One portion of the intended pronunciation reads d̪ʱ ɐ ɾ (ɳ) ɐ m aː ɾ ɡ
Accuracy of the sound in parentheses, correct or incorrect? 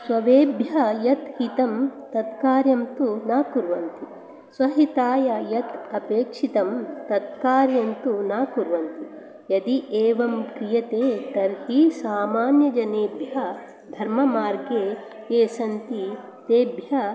incorrect